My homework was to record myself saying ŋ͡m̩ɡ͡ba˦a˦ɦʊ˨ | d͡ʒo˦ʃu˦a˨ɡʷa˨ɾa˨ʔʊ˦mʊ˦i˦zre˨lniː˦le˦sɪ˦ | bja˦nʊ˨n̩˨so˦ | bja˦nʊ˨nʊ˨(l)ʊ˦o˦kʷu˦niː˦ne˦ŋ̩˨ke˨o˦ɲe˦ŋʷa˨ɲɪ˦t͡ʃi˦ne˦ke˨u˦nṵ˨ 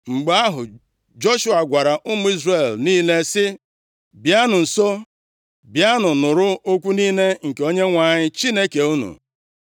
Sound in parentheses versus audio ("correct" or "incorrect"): incorrect